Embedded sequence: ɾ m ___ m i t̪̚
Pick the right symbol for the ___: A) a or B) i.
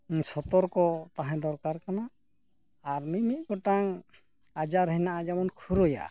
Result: B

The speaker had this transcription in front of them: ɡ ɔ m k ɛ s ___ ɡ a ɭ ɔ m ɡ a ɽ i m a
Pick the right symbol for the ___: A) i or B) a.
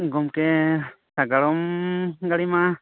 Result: B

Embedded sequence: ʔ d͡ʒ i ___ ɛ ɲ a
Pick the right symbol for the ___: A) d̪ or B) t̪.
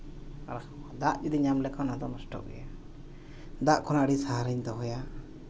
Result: A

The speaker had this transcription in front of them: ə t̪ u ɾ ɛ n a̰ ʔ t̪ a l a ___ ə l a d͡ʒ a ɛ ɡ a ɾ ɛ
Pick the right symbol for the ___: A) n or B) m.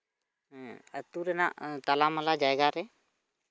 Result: B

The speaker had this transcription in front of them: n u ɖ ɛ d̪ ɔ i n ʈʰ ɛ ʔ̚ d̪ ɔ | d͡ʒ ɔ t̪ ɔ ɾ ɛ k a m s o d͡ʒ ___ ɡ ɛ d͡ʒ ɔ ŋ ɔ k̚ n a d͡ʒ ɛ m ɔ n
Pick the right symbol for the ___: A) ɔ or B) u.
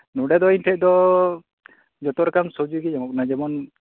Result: B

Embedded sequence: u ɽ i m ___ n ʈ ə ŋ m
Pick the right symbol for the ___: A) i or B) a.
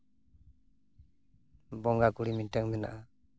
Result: A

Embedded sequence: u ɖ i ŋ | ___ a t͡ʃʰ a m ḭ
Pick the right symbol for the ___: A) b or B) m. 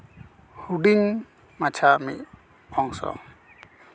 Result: B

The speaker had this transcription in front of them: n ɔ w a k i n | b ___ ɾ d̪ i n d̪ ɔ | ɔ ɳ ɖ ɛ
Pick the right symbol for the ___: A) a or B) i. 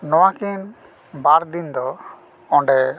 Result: A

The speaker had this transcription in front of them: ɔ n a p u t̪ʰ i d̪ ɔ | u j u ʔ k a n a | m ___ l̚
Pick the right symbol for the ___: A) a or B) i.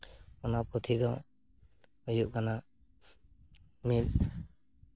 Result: B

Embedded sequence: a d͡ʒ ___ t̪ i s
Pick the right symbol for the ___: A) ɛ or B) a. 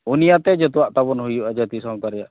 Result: B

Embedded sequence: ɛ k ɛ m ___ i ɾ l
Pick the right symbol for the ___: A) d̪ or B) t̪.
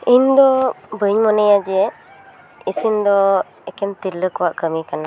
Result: B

